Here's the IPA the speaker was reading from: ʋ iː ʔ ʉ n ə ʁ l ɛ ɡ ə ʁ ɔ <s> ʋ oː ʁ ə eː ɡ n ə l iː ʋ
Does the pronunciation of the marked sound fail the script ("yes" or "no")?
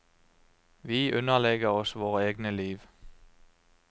no